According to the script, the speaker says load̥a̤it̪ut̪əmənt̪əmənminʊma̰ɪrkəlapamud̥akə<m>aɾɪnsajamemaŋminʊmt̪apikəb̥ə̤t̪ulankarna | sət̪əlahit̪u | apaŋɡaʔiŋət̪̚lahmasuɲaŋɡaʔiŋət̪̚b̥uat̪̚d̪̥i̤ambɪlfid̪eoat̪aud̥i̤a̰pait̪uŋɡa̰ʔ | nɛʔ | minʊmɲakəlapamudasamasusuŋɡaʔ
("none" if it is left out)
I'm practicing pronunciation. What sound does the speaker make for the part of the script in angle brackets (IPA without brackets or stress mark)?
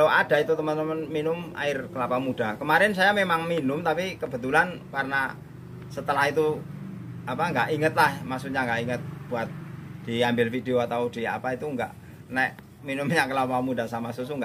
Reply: m